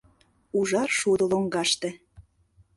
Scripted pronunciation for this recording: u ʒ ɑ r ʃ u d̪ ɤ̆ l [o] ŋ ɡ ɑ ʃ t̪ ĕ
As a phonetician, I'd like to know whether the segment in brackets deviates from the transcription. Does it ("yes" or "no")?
no